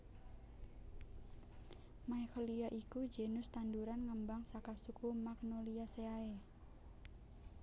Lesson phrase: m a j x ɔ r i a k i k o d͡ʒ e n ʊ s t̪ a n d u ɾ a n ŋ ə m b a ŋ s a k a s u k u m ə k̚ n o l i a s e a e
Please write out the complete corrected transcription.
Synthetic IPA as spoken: m a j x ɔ l i a ʔ i k u d͡ʒ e n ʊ s t̪ a n d u ɾ a n ŋ ə m b a ŋ s a k a s u k u m a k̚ n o l i a s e a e